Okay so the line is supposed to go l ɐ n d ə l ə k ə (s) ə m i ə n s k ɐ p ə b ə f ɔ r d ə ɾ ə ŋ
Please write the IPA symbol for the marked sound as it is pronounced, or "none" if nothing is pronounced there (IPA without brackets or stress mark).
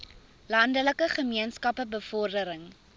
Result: χ